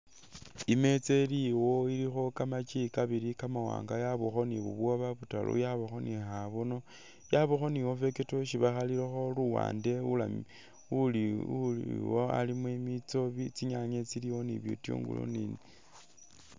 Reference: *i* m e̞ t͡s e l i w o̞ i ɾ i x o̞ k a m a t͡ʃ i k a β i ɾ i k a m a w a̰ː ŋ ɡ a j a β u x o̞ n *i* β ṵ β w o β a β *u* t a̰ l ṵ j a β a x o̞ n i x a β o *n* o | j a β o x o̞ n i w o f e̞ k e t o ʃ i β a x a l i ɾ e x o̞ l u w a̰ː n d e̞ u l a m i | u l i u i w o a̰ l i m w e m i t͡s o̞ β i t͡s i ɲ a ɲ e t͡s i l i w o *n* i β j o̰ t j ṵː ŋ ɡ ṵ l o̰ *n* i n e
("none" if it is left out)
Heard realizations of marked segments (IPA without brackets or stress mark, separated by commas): i, i, u, n, n, n